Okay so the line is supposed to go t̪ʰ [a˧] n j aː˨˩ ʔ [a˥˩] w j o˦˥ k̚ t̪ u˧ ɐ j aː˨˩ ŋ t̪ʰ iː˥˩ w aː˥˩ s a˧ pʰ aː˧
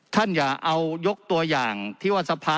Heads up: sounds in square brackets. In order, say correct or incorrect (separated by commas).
incorrect, incorrect